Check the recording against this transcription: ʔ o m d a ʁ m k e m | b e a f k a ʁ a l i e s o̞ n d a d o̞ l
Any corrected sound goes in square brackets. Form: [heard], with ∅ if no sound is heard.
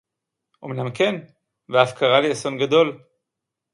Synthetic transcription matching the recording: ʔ o m [n] a [∅] m k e [n] | [v] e a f k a ʁ a l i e s o̞ n [ɡ] a d o̞ l